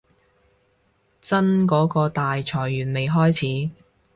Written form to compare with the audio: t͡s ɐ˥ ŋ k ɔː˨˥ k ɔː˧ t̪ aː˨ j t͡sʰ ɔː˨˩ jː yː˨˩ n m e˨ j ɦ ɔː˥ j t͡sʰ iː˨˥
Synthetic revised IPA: t͡s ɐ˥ n k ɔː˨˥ k ɔː˧ t̪ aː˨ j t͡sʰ ɔː˨˩ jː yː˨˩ n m e˨ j ɦ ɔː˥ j t͡sʰ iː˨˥